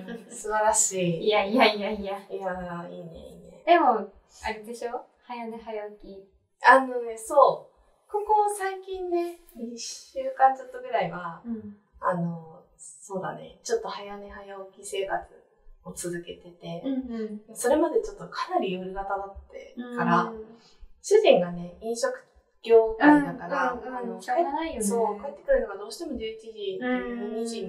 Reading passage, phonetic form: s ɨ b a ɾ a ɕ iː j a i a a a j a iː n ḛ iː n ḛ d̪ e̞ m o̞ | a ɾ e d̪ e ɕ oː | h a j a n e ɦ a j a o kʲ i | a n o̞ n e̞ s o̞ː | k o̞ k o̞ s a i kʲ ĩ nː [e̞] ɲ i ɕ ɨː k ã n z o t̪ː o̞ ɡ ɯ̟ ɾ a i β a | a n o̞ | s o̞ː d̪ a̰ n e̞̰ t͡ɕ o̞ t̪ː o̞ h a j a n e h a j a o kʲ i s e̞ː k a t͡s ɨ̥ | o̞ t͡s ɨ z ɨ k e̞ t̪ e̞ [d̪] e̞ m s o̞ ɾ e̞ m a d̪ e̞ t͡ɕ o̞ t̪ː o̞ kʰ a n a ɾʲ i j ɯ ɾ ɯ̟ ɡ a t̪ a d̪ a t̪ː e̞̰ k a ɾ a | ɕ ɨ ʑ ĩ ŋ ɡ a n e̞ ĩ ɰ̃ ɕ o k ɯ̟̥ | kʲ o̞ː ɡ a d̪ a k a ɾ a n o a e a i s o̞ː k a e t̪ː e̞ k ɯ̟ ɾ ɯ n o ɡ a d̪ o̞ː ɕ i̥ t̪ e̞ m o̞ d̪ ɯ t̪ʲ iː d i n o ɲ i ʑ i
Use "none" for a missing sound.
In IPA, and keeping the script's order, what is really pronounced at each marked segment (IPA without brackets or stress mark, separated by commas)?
e̞, t̪